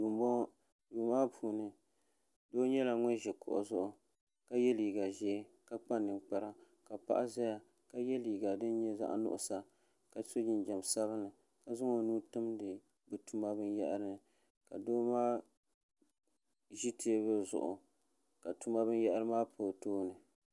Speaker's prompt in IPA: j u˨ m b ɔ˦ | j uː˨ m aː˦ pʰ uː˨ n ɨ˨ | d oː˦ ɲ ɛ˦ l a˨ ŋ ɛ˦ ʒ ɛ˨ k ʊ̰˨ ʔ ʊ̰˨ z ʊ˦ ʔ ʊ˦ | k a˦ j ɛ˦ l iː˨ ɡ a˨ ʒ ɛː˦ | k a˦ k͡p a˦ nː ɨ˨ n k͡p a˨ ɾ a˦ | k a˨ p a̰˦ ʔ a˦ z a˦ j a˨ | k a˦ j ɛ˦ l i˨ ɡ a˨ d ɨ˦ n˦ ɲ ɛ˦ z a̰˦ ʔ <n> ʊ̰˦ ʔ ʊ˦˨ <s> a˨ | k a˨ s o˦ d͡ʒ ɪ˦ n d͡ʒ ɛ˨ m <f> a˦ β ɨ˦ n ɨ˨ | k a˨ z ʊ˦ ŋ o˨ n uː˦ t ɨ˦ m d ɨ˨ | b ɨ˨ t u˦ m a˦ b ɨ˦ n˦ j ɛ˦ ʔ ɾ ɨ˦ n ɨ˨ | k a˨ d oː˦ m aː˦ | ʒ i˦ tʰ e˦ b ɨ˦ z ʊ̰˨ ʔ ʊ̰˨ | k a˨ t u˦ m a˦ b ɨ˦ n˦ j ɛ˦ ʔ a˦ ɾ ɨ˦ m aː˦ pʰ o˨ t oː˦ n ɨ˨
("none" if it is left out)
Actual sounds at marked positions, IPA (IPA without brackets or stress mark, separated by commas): n, s, s